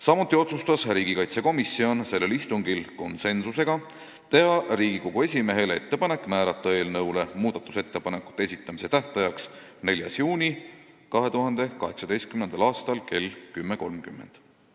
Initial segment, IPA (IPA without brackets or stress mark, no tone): s